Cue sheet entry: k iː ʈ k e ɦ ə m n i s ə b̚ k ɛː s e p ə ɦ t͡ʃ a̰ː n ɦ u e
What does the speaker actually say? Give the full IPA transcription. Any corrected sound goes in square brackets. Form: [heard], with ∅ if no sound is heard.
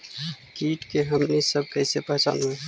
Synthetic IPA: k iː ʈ k e ɦ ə m n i s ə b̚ k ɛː s e p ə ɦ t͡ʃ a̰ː n ɦ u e